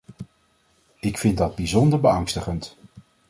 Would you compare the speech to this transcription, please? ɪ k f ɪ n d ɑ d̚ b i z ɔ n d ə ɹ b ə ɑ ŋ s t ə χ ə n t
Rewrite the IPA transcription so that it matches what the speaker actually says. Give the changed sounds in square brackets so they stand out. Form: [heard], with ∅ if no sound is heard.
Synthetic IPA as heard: ɪ k f ɪ n d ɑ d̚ b i z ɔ n d ə ɹ b ə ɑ ŋ s t ə χ ə n t